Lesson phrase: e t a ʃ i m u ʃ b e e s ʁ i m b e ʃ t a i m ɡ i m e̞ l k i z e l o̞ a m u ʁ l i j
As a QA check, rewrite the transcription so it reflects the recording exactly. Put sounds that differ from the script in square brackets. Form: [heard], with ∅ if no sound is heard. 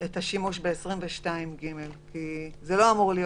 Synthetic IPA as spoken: e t a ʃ i m u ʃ b e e s ʁ i m [v] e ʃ t a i m ɡ i m e̞ l k i z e l o̞ a m u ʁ l i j